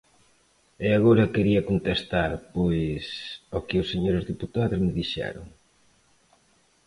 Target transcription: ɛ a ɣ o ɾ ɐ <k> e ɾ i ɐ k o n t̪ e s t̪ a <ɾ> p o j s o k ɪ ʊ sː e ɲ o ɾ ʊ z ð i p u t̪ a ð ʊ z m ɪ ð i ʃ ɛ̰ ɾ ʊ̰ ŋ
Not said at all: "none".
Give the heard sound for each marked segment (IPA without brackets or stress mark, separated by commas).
k, ɾ